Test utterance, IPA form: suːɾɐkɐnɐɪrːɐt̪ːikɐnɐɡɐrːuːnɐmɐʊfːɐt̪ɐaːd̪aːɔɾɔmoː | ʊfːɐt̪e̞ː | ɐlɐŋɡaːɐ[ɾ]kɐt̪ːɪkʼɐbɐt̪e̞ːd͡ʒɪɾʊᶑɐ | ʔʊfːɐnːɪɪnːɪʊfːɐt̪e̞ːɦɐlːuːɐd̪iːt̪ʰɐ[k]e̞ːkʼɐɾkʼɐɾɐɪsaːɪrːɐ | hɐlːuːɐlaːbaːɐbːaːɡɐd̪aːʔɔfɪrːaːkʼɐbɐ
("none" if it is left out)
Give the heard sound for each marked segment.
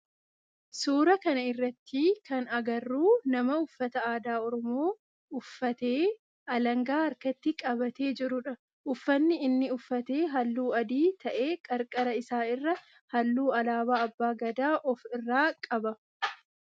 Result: ɾ, ʔ

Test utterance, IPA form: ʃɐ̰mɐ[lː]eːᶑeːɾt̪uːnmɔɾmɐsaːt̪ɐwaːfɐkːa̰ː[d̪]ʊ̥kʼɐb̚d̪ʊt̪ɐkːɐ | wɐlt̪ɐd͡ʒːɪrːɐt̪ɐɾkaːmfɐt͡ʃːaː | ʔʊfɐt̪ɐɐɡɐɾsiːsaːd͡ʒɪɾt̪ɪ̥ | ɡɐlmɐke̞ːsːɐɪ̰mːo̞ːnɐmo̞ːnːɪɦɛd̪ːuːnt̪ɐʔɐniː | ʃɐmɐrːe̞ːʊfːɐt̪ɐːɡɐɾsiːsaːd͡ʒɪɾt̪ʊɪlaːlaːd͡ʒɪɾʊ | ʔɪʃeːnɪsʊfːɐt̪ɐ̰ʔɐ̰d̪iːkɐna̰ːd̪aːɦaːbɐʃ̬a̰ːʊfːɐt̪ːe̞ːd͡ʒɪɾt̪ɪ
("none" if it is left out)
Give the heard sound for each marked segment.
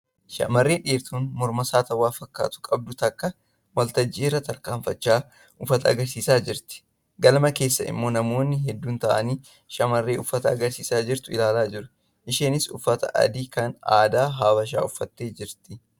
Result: rː, t̪

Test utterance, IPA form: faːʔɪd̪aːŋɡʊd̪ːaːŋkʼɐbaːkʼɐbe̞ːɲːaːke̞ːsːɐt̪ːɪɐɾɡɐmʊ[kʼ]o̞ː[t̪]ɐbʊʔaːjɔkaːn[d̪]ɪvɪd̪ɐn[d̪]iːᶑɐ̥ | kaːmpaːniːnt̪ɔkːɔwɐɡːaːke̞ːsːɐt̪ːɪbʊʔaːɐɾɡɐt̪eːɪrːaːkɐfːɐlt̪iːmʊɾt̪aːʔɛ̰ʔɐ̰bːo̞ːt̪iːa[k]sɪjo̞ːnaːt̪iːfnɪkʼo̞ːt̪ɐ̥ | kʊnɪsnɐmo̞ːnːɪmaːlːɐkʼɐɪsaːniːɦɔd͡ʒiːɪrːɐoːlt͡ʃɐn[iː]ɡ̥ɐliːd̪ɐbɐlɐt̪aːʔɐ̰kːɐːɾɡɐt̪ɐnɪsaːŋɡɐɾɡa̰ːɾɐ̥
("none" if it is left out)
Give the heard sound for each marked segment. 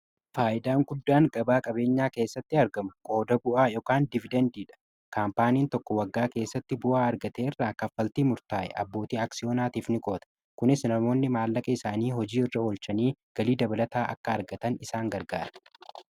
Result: kʼ, d̪, d̪, d̪, k, iː

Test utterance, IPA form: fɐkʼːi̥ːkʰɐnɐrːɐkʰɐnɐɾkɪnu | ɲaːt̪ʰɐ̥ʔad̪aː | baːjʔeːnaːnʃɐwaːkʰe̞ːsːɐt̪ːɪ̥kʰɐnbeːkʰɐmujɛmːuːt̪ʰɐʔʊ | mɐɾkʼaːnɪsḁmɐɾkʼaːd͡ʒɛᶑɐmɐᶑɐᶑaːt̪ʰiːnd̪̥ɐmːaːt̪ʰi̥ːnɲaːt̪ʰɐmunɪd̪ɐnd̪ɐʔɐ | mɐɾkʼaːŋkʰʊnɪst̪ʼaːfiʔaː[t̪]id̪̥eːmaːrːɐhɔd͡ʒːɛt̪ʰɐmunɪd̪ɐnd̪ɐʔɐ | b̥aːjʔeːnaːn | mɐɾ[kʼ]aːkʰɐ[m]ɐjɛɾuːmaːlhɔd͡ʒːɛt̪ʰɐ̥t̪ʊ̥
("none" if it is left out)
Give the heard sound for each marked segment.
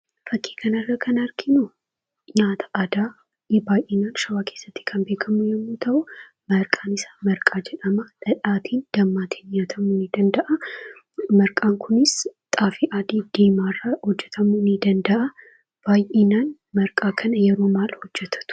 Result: d̪, kʼ, n

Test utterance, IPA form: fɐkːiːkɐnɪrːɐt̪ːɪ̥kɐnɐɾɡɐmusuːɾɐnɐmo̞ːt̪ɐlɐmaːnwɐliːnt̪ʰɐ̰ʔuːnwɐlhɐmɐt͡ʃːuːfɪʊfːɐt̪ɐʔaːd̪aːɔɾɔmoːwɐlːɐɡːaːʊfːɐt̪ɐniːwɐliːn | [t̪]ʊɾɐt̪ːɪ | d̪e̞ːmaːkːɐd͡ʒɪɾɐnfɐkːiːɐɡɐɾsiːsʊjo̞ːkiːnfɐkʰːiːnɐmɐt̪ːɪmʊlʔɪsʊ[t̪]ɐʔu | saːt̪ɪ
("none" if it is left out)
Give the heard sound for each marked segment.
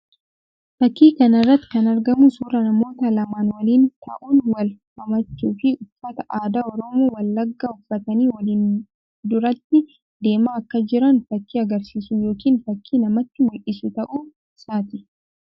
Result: d̪, t̪

